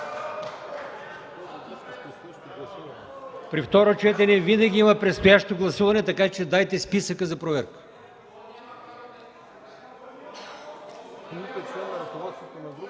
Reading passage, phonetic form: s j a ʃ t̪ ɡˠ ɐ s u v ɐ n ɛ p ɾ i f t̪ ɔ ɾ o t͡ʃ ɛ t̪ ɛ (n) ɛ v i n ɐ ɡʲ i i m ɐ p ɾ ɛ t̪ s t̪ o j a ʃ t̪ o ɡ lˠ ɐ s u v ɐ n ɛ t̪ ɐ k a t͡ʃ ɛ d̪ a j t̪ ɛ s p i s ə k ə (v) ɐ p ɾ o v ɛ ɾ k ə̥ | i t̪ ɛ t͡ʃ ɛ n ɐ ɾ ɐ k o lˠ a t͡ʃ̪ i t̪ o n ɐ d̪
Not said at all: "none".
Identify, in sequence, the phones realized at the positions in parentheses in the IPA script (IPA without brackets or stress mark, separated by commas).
n, z